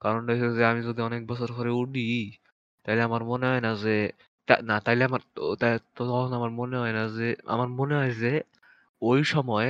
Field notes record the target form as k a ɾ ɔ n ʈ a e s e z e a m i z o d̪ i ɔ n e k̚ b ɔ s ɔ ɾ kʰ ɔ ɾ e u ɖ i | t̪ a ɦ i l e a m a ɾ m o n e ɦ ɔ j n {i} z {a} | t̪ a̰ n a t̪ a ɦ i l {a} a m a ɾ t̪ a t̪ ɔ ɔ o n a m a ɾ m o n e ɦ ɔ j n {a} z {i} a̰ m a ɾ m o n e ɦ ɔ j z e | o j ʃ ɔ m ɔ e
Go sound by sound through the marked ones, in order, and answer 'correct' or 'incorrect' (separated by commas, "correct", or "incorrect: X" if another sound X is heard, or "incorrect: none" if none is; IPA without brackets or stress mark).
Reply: incorrect: a, incorrect: e, incorrect: e, correct, incorrect: e